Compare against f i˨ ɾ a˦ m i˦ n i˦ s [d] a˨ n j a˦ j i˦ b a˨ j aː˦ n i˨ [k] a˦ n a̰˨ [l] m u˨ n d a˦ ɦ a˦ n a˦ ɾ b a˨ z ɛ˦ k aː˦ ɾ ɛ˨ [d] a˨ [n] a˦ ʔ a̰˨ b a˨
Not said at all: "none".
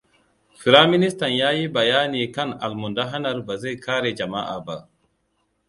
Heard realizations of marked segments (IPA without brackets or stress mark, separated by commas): t, k, l, d͡ʒ, m